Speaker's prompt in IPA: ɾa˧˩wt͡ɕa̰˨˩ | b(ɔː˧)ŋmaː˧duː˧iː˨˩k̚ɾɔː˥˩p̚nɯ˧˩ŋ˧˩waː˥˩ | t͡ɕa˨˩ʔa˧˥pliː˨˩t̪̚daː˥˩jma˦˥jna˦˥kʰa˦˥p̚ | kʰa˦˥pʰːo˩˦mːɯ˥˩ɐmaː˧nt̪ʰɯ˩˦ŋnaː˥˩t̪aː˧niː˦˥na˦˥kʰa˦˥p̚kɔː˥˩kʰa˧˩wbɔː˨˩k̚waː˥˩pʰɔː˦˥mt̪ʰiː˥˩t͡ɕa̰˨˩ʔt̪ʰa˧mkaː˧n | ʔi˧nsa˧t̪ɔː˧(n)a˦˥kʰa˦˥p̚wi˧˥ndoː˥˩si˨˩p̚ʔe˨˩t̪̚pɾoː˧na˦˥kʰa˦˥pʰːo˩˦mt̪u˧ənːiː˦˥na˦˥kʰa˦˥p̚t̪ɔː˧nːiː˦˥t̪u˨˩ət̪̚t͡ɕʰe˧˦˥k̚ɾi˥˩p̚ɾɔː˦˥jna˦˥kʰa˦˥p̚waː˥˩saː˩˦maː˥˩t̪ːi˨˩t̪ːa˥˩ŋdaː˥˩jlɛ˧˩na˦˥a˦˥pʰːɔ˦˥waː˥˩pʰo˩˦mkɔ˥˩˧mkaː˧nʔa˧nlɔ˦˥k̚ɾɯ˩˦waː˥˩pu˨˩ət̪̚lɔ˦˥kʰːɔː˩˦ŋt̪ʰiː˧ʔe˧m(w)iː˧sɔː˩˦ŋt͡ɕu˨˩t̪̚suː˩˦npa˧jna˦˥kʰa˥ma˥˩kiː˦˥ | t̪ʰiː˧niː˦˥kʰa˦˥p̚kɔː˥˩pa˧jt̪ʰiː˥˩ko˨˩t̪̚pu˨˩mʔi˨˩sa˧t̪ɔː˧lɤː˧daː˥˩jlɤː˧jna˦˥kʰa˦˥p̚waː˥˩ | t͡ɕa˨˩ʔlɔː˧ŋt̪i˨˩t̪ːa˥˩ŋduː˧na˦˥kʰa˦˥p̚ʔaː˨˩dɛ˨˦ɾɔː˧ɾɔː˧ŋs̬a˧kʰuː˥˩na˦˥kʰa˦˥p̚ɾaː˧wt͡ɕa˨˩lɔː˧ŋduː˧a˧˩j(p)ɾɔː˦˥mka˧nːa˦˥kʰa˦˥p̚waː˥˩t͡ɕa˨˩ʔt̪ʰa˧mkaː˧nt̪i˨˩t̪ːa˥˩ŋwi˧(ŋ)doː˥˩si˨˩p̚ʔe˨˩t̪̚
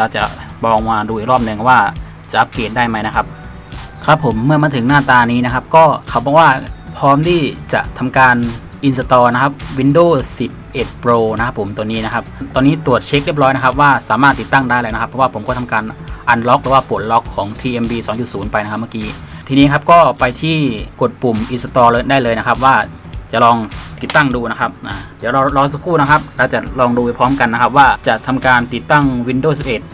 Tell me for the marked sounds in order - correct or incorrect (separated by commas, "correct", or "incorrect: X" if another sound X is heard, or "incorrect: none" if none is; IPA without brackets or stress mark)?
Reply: correct, correct, incorrect: b, incorrect: pʰ, incorrect: n